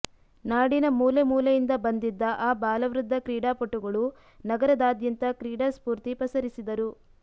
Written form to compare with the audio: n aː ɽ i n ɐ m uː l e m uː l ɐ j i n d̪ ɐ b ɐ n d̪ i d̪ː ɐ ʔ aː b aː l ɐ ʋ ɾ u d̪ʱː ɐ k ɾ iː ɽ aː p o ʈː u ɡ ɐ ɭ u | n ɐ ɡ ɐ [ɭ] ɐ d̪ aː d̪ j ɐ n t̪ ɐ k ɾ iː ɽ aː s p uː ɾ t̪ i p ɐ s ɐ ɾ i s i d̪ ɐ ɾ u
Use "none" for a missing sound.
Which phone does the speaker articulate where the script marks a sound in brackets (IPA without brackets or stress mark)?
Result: ɾ